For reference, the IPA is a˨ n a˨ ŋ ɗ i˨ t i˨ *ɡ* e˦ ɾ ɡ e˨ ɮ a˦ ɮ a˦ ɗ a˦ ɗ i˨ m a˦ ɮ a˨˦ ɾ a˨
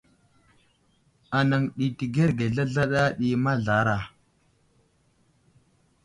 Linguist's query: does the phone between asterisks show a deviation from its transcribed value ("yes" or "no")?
no